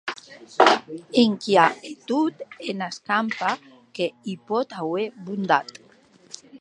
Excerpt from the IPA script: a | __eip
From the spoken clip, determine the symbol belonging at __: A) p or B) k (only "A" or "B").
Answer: B